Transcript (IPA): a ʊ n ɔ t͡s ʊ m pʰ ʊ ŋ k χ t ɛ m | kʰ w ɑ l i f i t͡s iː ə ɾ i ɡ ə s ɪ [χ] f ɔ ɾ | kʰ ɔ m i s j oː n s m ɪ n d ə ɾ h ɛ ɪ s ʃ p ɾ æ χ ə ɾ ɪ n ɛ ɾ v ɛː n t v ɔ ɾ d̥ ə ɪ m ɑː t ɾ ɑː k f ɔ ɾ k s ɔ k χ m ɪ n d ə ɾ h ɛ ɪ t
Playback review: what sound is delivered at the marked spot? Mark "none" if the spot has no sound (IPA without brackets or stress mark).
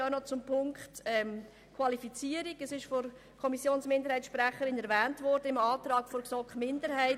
ʃ